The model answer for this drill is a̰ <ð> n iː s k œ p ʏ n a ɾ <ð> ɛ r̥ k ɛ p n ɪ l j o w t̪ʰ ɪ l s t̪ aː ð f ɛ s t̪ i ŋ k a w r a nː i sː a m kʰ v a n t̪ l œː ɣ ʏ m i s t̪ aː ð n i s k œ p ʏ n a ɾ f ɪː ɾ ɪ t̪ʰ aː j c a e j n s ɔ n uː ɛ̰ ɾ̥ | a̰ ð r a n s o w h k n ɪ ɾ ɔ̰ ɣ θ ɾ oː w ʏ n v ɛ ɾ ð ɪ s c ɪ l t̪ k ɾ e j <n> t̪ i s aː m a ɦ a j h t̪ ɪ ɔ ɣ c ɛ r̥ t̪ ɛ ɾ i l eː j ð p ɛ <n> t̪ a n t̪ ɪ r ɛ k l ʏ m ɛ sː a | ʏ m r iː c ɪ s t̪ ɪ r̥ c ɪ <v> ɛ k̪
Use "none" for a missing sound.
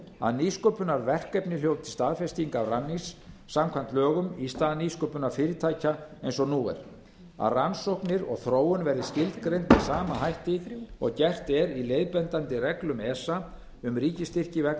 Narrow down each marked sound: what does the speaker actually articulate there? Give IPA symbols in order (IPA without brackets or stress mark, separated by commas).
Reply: ð, v, n, n, v